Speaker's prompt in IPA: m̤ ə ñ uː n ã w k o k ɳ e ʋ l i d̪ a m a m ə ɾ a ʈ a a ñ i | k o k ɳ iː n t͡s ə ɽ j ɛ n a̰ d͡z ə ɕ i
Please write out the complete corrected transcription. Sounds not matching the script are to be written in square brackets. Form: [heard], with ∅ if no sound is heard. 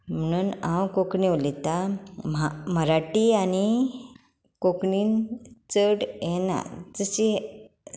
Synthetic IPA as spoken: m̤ ə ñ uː n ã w k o k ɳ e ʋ l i [t̪] a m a m ə ɾ a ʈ [i] a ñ i | k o k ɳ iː n t͡s ə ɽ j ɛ n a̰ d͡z ə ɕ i